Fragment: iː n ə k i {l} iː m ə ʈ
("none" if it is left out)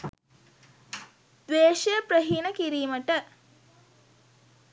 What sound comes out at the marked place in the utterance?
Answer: ɾ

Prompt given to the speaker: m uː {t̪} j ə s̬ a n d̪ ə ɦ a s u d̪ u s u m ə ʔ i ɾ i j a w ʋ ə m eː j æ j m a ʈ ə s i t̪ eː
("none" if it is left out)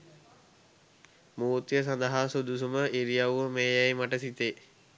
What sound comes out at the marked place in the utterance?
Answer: t̪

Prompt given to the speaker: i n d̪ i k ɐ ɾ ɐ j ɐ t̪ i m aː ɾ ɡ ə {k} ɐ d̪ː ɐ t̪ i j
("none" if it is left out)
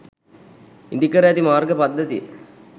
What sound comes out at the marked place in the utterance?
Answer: p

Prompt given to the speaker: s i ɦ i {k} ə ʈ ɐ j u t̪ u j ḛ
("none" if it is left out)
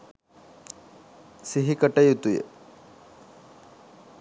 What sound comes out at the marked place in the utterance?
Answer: k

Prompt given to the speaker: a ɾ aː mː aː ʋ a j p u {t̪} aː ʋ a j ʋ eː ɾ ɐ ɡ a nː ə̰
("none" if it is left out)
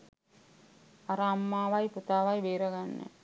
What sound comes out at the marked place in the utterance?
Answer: t̪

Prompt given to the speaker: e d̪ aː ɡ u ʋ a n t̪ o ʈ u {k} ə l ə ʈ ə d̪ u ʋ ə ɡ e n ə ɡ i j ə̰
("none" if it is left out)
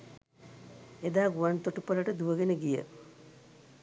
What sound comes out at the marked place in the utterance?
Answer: p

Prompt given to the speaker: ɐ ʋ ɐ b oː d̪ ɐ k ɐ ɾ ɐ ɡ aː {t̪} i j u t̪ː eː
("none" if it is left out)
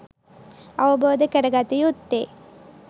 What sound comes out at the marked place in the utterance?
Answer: t̪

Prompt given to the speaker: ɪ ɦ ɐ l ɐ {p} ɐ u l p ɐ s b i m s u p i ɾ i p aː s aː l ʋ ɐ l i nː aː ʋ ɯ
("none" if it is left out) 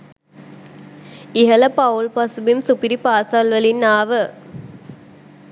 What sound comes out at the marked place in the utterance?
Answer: p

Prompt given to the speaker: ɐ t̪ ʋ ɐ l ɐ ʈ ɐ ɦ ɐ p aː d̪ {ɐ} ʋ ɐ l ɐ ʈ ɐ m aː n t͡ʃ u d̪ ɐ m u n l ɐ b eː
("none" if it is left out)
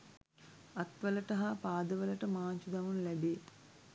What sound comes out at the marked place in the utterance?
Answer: ɐ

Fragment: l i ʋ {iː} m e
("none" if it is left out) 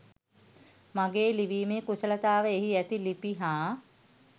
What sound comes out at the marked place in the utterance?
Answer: iː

